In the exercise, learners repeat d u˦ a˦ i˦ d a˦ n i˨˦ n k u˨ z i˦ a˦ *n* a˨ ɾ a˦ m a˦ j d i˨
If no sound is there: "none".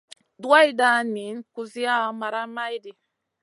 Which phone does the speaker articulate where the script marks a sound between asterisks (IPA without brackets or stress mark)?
m